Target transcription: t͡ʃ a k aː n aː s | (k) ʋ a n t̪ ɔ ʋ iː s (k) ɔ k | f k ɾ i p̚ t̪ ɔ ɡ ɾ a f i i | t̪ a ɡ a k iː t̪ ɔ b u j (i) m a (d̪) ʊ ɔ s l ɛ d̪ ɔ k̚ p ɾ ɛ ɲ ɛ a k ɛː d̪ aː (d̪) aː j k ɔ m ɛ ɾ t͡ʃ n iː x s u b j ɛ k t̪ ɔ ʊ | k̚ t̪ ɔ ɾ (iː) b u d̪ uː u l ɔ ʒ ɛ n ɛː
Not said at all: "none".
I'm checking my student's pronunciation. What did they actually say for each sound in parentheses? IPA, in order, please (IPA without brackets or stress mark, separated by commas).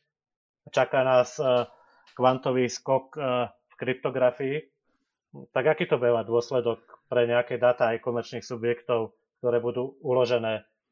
k, k, ɛ, d̪, t̪, ɛː